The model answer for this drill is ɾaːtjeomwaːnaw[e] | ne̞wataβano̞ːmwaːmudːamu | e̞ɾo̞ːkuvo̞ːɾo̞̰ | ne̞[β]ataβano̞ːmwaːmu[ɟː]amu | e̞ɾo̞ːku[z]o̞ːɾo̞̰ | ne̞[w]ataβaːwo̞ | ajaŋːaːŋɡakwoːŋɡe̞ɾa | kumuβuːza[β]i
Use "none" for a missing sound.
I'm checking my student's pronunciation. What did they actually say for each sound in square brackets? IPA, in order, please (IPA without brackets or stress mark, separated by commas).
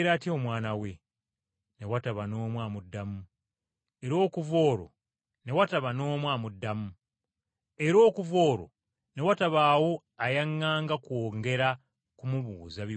e, w, dː, v, w, β